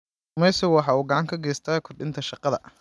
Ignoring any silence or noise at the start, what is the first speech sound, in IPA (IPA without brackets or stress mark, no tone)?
m